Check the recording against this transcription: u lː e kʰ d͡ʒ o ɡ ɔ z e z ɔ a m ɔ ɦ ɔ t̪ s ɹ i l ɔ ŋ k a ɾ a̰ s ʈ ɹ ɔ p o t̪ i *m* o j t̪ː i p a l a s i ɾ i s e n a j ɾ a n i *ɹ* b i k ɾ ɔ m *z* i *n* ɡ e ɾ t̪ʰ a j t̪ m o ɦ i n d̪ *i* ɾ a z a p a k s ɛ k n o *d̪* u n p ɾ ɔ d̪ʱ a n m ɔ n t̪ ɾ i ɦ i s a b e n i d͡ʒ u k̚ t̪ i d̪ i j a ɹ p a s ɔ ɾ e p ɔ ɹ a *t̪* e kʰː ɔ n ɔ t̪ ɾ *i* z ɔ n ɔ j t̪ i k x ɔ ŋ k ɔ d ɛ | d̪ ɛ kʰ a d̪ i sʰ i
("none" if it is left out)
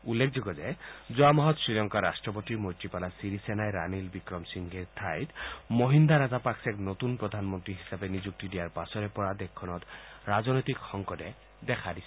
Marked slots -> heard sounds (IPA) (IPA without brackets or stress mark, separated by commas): m, l, s, ŋ, a, t̪, d̪, a